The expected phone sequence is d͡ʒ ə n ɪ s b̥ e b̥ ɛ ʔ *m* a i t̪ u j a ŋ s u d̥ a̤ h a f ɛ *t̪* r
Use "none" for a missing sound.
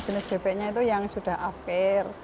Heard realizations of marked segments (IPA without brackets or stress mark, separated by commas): ɲ, none